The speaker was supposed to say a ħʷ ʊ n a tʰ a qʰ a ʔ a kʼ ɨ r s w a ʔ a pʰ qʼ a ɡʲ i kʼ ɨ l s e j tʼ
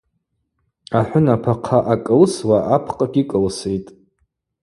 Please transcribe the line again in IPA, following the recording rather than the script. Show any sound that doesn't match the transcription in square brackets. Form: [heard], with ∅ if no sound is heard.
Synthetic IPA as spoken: a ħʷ ʊ n a [pʰ] a qʰ a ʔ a kʼ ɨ [l] s w a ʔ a pʰ qʼ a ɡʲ i kʼ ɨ l s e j tʼ